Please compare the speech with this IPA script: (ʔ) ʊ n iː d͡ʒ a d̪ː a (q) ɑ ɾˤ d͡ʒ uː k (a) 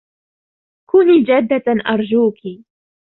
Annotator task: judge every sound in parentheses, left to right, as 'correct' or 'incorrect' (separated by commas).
incorrect, incorrect, incorrect